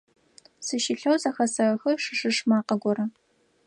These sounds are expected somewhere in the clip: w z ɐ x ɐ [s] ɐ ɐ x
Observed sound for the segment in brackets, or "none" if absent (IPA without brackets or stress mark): s